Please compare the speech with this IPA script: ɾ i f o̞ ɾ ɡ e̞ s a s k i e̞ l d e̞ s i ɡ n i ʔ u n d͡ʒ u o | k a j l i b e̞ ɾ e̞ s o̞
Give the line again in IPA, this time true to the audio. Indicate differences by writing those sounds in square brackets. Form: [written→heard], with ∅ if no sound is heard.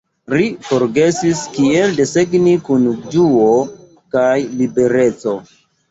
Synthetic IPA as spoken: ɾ i f o̞ ɾ ɡ e̞ s [a→i] s k i e̞ l d e̞ s [i→e] ɡ n i [ʔ→k] u n d͡ʒ u o | k a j l i b e̞ ɾ e̞ [s→t͡s] o̞